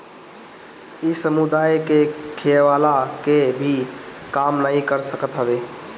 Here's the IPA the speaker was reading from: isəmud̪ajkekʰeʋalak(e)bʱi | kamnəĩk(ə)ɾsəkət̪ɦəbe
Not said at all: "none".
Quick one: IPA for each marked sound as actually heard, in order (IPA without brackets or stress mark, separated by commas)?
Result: e, ə